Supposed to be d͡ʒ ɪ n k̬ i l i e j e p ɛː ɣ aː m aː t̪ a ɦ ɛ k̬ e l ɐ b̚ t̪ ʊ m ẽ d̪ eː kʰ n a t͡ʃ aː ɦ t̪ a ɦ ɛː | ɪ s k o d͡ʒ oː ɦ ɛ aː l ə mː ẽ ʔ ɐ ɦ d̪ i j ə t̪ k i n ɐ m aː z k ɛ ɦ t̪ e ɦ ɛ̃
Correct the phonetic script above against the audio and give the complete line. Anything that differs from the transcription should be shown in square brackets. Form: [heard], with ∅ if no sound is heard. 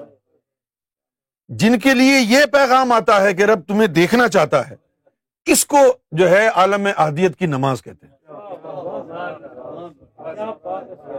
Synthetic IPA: d͡ʒ ɪ n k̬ [e] l i e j e p ɛː ɣ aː m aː t̪ a ɦ ɛ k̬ e [ɾ] ɐ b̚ t̪ ʊ m ẽ d̪ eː kʰ n a t͡ʃ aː ɦ t̪ a ɦ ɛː | ɪ s k o d͡ʒ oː ɦ ɛ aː l ə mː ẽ ʔ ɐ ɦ d̪ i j ə t̪ k i n ɐ m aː z k ɛ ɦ t̪ e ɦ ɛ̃